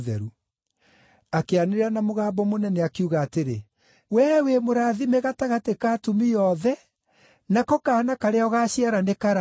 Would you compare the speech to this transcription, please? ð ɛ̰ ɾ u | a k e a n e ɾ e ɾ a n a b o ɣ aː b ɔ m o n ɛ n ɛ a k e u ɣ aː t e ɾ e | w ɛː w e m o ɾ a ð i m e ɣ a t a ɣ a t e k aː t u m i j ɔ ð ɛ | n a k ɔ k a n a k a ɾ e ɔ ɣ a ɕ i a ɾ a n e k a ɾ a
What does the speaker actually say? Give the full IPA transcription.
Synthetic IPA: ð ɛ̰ ɾ u | a k e a n e ɾ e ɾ a n a m o ɣ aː b ɔ m o n ɛ n ɛ a k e u ɣ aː t e ɾ e | w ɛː w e m o ɾ a ð i m e ɣ a t a ɣ a t e k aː t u m i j ɔ ð ɛ | n a k ɔ k a n a k a ɾ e ɔ ɣ a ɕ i a ɾ a n e k a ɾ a